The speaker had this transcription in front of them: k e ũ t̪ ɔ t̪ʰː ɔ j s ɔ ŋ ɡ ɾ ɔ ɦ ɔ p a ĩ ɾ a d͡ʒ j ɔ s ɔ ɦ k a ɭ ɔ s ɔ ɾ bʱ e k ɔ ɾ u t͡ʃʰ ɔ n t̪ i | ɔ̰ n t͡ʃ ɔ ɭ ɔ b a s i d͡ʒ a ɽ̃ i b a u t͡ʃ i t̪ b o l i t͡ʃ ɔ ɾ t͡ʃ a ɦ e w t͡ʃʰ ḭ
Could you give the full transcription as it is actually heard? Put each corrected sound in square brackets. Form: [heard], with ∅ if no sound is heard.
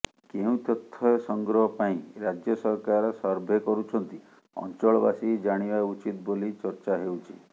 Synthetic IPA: k e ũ t̪ ɔ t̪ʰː ɔ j s ɔ ŋ ɡ ɾ ɔ ɦ ɔ p a ĩ ɾ a d͡ʒ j ɔ s ɔ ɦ k a [ɾ] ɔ s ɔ ɾ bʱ e k ɔ ɾ u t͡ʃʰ ɔ n t̪ i | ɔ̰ n t͡ʃ ɔ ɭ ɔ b a s i d͡ʒ a ɽ̃ i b a u t͡ʃ i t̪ b o l i t͡ʃ ɔ ɾ t͡ʃ a ɦ e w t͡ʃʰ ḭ